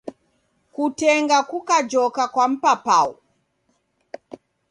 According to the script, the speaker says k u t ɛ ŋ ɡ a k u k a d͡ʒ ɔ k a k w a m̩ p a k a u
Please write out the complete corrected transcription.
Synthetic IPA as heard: k u t ɛ ŋ ɡ a k u k a d͡ʒ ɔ k a k w a m̩ p a p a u